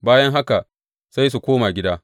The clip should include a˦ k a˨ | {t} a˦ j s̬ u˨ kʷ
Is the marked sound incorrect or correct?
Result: incorrect